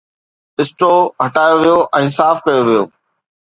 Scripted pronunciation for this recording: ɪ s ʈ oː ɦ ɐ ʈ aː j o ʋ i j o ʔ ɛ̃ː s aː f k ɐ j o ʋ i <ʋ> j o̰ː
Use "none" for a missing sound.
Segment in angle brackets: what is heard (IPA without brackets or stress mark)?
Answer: none